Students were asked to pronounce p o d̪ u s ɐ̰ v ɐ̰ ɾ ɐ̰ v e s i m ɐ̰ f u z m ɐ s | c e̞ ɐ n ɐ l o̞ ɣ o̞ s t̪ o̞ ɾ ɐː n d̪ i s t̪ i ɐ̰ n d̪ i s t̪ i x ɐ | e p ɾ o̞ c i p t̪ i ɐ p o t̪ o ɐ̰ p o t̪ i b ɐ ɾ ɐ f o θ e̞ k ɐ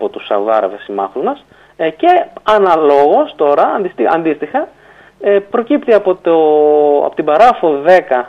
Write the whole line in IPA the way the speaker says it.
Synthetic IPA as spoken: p o t̪ u s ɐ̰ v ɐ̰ ɾ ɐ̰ v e s i m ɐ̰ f u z m ɐ s | c e̞ ɐ n ɐ l o̞ ɣ o̞ s t̪ o̞ ɾ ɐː n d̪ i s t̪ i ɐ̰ n d̪ i s t̪ i x ɐ | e p ɾ o̞ c i p t̪ i ɐ p o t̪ o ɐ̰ p o t̪ i b ɐ ɾ ɐ f o ð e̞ k ɐ